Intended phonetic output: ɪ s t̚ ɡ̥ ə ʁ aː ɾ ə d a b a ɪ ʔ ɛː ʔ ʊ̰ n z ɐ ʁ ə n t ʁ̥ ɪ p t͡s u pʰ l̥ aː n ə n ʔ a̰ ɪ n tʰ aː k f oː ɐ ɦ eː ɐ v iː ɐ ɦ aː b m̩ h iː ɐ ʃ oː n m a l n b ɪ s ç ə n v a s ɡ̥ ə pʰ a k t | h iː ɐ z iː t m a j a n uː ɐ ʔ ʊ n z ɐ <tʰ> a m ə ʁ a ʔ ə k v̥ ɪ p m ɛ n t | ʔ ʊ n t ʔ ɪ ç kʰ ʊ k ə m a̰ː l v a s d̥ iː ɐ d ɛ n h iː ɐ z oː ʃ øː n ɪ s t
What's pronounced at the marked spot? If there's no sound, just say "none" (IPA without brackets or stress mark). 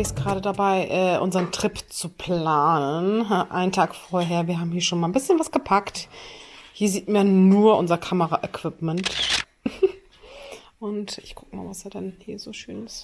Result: kʰ